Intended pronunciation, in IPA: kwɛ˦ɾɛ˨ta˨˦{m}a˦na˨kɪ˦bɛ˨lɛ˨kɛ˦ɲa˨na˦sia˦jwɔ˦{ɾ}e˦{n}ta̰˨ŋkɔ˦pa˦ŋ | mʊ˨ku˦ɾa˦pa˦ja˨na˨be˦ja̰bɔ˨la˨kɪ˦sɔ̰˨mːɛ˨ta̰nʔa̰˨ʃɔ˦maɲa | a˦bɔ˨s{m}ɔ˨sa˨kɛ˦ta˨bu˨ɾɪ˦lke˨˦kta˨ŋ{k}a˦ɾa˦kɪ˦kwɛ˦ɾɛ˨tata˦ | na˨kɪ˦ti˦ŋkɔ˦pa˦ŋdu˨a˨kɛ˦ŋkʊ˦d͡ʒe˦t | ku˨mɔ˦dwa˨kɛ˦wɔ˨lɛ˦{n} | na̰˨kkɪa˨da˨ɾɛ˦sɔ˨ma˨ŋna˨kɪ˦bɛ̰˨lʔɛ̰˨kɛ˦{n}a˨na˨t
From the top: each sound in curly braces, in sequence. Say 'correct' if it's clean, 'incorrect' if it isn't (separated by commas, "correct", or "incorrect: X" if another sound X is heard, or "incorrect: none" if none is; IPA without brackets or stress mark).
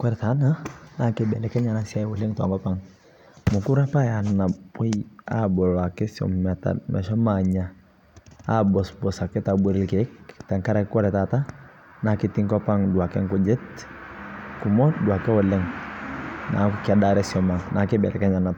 incorrect: n, incorrect: l, incorrect: ŋ, incorrect: b, correct, incorrect: ŋ, incorrect: ɲ